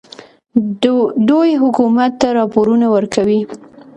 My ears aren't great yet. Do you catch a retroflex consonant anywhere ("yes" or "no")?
no